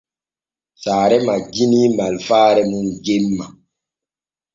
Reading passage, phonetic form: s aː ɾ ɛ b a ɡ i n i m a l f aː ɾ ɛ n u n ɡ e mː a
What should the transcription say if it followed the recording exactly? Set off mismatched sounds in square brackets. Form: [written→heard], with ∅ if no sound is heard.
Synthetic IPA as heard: s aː ɾ ɛ [b→m] a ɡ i n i m a l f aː ɾ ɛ [n→m] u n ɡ e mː a